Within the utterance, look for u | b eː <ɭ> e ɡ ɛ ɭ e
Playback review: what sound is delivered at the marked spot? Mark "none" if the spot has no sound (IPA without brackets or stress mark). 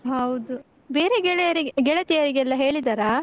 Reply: ɾ